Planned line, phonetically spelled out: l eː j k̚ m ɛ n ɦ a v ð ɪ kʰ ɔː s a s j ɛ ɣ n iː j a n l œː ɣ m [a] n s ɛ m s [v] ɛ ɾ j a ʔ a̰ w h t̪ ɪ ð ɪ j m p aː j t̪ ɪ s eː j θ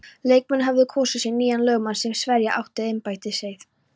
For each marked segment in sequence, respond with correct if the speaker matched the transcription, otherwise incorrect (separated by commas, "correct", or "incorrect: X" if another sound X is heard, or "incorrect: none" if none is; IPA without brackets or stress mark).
correct, correct